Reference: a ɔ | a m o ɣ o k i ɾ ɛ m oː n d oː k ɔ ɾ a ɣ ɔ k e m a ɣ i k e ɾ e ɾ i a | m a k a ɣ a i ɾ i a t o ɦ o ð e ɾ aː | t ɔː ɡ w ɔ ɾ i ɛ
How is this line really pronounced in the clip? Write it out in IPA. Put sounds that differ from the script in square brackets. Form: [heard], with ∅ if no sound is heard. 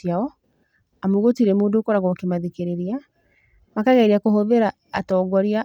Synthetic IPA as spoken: a ɔ | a m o ɣ o [t] i ɾ ɛ m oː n d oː k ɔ ɾ a ɣ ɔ k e m a [ð] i k e ɾ e ɾ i a | m a k a ɣ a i ɾ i a [k] o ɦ o ð e ɾ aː | t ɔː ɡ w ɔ ɾ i [a]